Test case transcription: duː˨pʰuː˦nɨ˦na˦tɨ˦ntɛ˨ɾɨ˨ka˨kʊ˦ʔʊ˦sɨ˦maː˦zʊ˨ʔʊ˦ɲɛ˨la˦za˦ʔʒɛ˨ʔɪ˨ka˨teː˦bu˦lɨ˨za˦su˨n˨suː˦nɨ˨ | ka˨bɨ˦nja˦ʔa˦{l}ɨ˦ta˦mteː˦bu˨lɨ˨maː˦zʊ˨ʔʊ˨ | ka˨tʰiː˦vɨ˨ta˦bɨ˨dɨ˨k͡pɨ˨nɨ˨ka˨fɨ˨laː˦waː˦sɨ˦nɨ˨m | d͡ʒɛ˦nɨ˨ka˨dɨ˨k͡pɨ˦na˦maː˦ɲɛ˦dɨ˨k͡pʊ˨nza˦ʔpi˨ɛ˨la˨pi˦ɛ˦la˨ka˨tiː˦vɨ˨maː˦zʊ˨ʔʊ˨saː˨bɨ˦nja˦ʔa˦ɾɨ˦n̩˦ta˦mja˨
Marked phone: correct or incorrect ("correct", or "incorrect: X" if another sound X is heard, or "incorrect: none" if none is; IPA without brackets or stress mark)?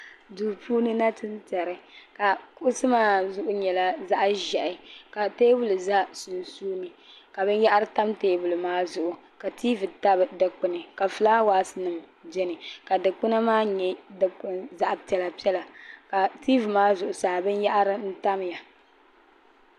incorrect: ɾ